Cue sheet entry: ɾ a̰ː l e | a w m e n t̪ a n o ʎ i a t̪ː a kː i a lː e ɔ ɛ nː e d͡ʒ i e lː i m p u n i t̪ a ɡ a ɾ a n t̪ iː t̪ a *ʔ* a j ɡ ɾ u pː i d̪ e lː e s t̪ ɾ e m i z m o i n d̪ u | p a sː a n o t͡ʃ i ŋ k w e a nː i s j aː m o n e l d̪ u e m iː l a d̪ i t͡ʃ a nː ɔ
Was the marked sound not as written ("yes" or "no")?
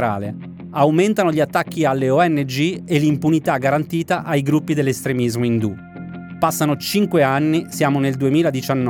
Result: no